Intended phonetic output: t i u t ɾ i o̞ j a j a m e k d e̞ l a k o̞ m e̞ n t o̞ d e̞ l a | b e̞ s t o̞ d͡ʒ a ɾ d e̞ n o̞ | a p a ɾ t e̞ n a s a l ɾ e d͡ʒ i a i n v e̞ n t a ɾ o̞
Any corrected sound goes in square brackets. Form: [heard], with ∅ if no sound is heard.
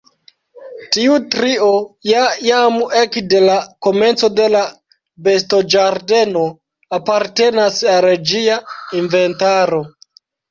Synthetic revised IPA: t i u t ɾ i o̞ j a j a m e k d e̞ l a k o̞ m e̞ n [t͡s] o̞ d e̞ l a | b e̞ s t o̞ d͡ʒ a ɾ d e̞ n o̞ | a p a ɾ t e̞ n a s a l ɾ e d͡ʒ i a i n v e̞ n t a ɾ o̞